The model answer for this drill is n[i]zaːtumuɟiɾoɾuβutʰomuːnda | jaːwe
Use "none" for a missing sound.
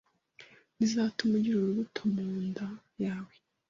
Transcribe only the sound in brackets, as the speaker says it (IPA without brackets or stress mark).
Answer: i